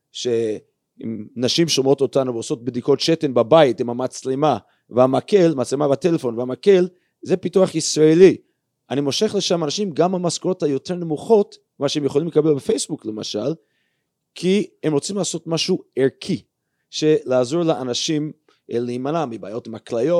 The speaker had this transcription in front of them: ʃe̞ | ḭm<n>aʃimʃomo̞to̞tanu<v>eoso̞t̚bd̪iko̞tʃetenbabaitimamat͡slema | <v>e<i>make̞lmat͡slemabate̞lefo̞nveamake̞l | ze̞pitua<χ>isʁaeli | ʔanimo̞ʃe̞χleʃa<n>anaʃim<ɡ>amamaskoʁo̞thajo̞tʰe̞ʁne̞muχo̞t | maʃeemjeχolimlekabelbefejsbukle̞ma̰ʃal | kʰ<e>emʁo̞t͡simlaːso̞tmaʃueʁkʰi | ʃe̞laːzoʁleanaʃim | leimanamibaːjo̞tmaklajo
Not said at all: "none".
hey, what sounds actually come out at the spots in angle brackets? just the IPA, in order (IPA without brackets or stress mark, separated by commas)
n, v, v, a, χ, m, ɡ, i